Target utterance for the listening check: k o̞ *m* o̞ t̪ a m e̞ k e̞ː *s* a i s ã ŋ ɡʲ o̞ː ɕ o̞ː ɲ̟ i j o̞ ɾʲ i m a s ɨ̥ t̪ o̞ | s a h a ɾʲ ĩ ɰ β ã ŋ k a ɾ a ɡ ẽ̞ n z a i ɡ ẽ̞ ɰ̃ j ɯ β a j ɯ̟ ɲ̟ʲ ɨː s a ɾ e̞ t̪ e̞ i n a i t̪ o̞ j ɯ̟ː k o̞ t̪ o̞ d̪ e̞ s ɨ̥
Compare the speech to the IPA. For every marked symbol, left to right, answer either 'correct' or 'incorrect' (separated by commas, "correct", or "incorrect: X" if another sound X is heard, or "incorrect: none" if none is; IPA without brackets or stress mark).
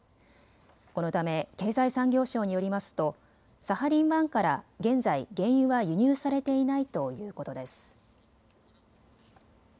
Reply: incorrect: n, incorrect: z